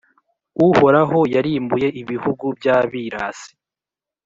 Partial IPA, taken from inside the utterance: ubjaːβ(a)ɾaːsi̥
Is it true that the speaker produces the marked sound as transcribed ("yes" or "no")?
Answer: no